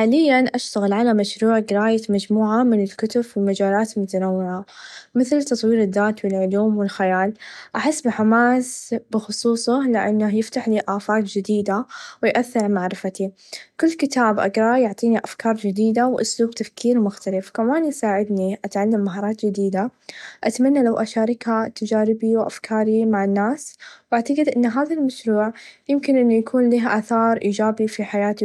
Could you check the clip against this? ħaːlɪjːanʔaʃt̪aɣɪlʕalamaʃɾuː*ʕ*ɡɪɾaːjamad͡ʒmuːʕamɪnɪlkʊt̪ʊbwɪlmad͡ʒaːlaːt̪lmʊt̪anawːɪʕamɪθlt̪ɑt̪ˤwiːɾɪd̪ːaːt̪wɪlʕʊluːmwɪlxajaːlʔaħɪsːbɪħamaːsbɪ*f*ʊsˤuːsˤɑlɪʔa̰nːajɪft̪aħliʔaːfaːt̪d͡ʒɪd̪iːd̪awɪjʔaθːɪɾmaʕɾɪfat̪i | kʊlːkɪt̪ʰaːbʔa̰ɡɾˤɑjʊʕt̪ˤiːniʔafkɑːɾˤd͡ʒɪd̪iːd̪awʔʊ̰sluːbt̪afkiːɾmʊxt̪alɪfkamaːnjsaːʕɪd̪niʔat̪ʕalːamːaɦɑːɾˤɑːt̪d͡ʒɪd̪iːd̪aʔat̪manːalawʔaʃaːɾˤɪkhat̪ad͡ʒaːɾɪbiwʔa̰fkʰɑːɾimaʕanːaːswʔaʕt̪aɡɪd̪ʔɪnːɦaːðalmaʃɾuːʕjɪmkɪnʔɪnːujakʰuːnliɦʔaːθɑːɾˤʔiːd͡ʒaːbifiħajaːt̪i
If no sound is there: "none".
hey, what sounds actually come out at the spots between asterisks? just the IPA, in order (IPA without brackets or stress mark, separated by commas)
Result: ʕ, x